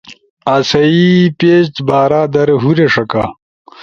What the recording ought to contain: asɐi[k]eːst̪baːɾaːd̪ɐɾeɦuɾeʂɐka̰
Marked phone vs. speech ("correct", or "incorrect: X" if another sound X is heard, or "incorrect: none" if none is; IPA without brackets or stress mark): incorrect: p